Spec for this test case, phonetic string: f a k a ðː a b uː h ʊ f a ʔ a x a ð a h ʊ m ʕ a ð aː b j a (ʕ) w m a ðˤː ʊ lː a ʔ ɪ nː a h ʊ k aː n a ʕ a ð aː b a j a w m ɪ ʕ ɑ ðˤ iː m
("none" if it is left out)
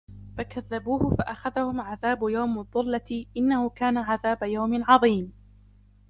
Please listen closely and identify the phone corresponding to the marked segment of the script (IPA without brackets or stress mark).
none